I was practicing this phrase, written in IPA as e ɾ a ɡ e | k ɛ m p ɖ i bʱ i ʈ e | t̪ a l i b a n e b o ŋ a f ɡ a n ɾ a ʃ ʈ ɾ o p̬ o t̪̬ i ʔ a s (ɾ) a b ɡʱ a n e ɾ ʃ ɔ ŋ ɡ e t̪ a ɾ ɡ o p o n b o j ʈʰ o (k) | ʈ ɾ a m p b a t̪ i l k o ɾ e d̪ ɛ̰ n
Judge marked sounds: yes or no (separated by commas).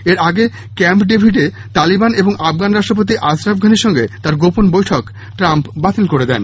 yes, yes